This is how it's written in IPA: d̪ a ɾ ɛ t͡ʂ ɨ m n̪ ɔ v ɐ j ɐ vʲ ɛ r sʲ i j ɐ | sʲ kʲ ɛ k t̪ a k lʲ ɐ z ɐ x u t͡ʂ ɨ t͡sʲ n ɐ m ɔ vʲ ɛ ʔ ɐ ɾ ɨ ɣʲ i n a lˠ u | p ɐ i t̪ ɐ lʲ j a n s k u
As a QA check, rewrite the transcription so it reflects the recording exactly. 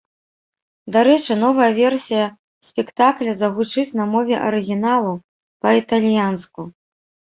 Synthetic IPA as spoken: d̪ a ɾ ɛ t͡ʂ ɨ n̪ ɔ v ɐ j ɐ vʲ ɛ r sʲ i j ɐ | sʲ pʲ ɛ k t̪ a k lʲ ɐ z ɐ ɣ u t͡ʂ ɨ t͡sʲ n ɐ m ɔ vʲ ɛ ʔ ɐ ɾ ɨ ɣʲ i n a lˠ u | p ɐ i t̪ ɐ lʲ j a n s k u

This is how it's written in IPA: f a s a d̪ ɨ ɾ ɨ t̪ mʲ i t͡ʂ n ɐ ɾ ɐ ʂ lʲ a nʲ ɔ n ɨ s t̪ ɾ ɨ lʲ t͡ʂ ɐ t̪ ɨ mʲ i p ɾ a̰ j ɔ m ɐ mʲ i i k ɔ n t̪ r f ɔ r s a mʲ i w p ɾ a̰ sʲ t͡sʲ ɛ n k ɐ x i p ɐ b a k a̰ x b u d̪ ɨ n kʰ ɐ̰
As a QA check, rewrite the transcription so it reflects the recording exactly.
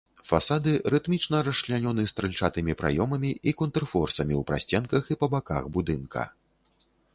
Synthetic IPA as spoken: f a s a d̪ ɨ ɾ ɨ t̪ mʲ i t͡ʂ n ɐ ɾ ɐ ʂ lʲ a nʲ ɔ n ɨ s t̪ ɾ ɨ lʲ t͡ʂ a t̪ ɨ mʲ i p ɾ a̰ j ɔ m ɐ mʲ i i k ɔ n t̪ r f ɔ r s ɐ mʲ i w p ɾ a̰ sʲ t͡sʲ ɛ n k ɐ x i p ɐ b a k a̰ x b u d̪ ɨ n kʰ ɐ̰

